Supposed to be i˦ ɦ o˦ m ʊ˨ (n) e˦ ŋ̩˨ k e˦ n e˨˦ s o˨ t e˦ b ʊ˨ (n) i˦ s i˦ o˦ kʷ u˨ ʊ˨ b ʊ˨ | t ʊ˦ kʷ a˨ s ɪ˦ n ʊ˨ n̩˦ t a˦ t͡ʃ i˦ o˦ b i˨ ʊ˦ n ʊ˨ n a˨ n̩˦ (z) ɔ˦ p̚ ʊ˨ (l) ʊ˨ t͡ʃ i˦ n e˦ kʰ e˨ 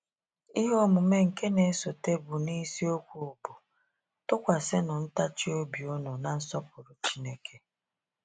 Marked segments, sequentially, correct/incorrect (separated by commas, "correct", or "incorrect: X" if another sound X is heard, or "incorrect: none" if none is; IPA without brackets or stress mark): incorrect: m, correct, incorrect: s, incorrect: ɾ